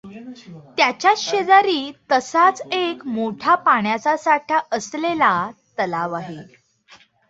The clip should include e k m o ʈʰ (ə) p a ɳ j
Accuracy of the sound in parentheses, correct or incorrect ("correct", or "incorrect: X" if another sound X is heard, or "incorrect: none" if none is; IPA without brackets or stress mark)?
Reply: incorrect: a